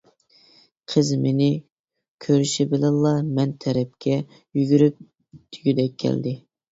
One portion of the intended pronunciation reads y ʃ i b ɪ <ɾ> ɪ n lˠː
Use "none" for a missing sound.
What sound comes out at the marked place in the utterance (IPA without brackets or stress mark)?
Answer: l